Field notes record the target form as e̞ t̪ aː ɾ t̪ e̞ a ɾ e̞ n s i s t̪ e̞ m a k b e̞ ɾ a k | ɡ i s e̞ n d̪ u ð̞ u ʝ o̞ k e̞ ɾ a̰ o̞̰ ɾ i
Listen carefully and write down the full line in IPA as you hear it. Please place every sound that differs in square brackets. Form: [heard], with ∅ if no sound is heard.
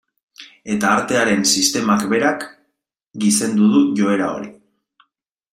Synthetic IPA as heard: e̞ t̪ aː ɾ t̪ e̞ a ɾ e̞ n s i s t̪ e̞ m a k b e̞ ɾ a k | ɡ i s e̞ n d̪ u ð̞ u ʝ o̞ [∅] e̞ ɾ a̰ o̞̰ ɾ i